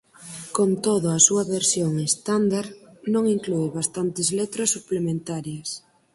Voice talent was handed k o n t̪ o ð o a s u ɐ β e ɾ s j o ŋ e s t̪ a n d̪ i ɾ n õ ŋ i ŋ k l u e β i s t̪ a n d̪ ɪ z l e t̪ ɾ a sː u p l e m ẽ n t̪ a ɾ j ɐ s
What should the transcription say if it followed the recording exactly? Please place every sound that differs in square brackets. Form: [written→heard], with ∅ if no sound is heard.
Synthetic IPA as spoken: k o n t̪ o ð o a s u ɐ β e ɾ s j o ŋ e s t̪ a n d̪ [i→a] ɾ n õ ŋ i ŋ k l u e β [i→a] s t̪ a n [d̪→t̪] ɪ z l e t̪ ɾ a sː u p l e m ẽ n t̪ a ɾ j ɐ s